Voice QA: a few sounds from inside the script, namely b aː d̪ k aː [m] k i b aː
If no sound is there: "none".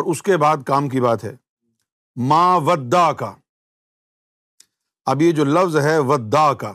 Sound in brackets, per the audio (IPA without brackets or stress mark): m